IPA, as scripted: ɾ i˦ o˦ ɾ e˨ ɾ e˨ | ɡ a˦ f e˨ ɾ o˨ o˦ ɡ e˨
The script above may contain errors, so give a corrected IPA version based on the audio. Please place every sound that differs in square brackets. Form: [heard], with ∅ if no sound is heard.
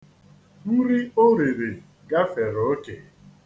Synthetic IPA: ɾ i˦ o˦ ɾ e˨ ɾ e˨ | ɡ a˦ f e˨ ɾ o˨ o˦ [k] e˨